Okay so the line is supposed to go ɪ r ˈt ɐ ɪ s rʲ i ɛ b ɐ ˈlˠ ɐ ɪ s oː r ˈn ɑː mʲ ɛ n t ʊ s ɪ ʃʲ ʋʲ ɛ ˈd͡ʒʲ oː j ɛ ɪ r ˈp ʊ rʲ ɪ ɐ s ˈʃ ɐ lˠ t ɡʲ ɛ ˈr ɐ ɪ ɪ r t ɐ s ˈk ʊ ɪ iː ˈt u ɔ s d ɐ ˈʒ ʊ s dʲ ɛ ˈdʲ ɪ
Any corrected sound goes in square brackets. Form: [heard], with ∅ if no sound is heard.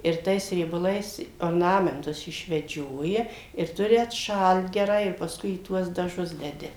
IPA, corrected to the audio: ɪ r ˈt ɐ ɪ s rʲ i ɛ b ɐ ˈlˠ ɐ ɪ s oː r ˈn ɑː mʲ ɛ n t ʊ s ɪ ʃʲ ʋʲ ɛ ˈd͡ʒʲ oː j ɛ ɪ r [ˈt] ʊ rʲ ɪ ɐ [t] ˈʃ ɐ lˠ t ɡʲ ɛ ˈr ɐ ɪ ɪ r [p] ɐ s ˈk ʊ ɪ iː ˈt u ɔ s d ɐ ˈʒ ʊ s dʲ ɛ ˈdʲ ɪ